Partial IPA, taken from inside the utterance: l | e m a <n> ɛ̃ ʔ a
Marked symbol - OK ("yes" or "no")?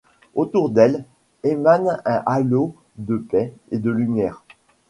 yes